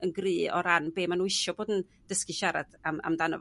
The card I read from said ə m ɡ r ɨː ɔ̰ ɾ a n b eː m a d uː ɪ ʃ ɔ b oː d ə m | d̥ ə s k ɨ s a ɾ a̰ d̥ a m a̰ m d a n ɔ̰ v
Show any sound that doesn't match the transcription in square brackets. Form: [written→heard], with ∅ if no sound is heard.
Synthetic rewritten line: ə [m→n] ɡ r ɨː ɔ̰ ɾ a n b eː m a [d→n] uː ɪ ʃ ɔ b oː d ə [m→n] | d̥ ə s k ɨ [s→ʃ] a ɾ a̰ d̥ a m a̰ m d a n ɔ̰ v